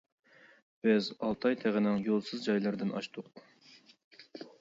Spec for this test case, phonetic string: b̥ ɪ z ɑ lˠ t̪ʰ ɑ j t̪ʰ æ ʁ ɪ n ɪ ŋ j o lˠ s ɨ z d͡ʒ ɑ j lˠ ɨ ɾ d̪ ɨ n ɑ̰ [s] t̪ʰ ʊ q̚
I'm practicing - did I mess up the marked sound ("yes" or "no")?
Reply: yes